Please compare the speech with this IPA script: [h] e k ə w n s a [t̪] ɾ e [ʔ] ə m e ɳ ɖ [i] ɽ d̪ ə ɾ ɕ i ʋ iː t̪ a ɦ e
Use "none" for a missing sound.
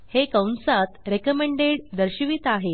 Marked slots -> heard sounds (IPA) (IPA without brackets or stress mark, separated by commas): h, t̪, k, e